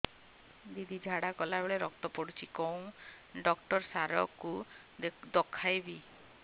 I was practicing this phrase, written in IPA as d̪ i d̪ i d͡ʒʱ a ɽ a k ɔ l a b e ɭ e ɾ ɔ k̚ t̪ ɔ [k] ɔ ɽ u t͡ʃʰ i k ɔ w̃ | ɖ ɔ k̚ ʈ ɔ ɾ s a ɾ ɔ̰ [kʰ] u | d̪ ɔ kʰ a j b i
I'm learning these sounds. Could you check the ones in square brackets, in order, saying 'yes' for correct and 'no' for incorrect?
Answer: no, no

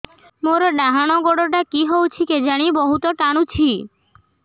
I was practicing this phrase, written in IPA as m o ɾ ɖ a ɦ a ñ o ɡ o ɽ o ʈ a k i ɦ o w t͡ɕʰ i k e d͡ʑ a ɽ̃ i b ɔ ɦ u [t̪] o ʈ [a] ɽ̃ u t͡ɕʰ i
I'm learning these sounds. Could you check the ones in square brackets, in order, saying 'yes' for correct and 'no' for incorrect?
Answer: yes, yes

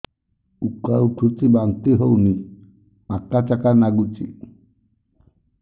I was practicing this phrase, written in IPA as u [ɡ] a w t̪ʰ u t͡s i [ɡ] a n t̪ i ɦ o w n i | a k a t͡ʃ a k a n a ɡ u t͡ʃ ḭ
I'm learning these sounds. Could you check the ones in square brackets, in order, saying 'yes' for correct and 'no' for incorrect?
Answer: no, no

